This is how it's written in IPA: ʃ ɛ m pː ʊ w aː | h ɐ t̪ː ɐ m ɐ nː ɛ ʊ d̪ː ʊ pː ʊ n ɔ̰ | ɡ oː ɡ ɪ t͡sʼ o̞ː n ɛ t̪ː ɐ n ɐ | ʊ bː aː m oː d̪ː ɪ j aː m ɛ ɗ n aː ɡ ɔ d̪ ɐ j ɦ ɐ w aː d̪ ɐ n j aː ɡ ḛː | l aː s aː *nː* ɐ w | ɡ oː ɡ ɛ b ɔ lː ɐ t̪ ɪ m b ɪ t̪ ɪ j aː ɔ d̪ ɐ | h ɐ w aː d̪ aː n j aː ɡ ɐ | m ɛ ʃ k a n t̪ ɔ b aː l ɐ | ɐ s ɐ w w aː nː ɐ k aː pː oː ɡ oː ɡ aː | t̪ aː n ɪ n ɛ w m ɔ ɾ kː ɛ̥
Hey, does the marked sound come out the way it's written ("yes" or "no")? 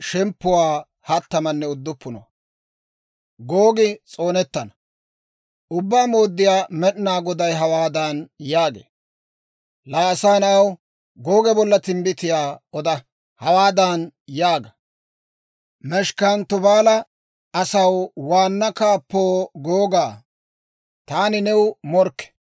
no